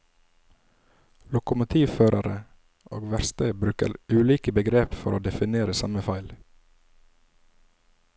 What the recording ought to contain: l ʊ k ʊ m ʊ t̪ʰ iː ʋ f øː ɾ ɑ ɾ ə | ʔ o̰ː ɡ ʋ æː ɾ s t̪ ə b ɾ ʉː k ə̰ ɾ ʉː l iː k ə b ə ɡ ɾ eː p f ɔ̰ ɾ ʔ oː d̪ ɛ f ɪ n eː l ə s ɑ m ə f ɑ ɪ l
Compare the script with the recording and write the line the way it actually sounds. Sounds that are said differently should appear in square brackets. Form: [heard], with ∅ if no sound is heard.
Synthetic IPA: l ʊ k ʊ m ʊ t̪ʰ iː ʋ f øː ɾ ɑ ɾ ə | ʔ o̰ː ɡ ʋ [æ] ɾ s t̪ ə b ɾ ʉː k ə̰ ɾ ʉː l iː k ə b ə ɡ ɾ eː p f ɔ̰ ɾ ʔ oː d̪ ɛ f ɪ n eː [ɾ] ə s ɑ m ə f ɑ ɪ l